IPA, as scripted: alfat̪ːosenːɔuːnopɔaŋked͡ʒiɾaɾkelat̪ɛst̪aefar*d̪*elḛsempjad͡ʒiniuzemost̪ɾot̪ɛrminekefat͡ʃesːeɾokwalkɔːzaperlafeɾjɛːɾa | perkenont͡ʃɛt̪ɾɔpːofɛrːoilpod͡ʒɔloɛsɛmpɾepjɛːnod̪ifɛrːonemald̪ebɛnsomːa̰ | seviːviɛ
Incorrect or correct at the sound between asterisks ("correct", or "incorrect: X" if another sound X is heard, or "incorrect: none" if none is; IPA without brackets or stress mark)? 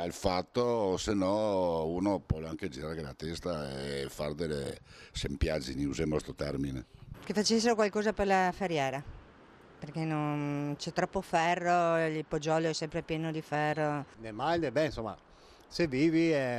correct